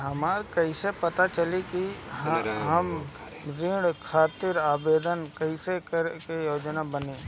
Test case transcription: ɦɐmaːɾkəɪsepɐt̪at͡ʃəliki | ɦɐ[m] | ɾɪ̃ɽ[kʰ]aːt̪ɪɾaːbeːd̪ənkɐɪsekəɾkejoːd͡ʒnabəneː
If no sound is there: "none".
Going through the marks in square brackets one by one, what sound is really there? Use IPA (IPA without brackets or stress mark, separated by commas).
m, kʰ